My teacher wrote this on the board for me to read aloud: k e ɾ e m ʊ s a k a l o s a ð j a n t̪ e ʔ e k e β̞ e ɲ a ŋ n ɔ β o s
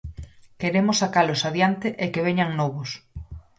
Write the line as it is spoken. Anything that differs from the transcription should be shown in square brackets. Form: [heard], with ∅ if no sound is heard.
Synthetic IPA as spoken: k e ɾ e m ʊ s a k a l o s a ð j a n t̪ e ʔ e k e β̞ e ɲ a ŋ n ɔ β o s